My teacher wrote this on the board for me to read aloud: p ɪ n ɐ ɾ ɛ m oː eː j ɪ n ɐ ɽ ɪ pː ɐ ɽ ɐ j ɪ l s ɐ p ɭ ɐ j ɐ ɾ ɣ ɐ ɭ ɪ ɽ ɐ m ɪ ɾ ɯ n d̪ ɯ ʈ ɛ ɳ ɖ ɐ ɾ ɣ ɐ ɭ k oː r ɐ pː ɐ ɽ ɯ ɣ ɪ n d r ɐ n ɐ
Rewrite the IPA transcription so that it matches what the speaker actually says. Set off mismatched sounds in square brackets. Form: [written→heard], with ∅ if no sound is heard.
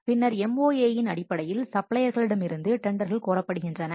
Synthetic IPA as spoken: p ɪ [n→nː] ɐ ɾ ɛ m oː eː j ɪ n ɐ ɽ ɪ pː ɐ ɽ ɐ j ɪ l s ɐ p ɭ ɐ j ɐ ɾ ɣ ɐ ɭ ɪ ɽ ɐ m ɪ ɾ ɯ n d̪ ɯ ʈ ɛ ɳ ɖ ɐ ɾ ɣ ɐ ɭ k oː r ɐ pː ɐ ɽ ɯ ɣ ɪ n d r ɐ n ɐ